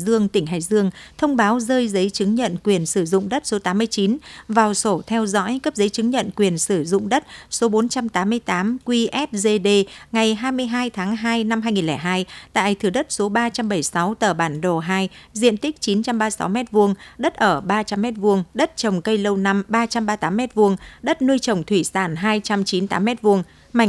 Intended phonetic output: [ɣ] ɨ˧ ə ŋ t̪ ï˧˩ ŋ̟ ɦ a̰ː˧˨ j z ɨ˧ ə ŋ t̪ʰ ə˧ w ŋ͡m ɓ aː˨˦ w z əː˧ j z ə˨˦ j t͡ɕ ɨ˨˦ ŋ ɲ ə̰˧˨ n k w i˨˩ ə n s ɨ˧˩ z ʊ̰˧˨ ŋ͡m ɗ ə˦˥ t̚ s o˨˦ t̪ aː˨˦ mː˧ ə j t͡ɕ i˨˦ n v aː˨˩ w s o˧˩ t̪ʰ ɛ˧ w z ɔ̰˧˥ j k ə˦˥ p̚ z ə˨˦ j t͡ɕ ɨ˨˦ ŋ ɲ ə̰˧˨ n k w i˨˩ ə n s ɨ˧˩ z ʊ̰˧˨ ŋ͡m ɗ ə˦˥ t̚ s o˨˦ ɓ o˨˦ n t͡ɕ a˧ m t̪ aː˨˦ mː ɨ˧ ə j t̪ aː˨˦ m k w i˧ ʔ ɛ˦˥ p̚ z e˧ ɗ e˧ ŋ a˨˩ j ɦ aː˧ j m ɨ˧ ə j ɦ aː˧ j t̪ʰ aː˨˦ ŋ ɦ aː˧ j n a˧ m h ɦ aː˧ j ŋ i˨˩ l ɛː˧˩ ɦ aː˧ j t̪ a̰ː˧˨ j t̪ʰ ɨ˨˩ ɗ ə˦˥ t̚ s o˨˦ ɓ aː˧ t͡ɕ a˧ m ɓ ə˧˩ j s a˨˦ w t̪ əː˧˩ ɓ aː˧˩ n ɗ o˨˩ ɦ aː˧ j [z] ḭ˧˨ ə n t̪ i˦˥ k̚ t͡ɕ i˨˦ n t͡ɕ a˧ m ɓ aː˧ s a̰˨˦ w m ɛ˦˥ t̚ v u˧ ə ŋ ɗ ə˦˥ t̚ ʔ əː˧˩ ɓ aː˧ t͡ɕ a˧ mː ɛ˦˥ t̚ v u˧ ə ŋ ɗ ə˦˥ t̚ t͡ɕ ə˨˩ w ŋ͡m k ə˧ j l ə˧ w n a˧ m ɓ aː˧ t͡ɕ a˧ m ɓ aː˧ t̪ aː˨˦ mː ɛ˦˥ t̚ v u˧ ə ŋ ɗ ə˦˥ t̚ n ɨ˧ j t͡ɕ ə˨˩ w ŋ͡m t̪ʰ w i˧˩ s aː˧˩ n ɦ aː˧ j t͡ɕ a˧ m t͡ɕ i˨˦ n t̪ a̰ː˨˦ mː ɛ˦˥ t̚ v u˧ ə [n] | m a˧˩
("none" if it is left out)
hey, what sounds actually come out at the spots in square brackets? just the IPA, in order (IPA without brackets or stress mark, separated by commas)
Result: z, z, ŋ